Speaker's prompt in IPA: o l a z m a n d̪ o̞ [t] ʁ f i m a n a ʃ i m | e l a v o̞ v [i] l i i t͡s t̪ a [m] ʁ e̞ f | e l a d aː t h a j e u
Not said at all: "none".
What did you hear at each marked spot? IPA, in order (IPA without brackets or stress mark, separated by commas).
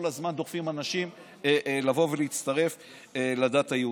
none, e, none